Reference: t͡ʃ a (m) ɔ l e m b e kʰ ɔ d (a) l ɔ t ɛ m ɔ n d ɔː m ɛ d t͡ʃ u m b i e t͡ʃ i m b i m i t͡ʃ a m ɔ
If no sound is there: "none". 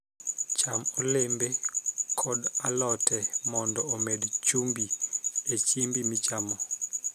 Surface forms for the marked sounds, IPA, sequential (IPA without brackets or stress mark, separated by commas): m, a